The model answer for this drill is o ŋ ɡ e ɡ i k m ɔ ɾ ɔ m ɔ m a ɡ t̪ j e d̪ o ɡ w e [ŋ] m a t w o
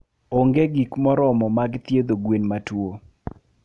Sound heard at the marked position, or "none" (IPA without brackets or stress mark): n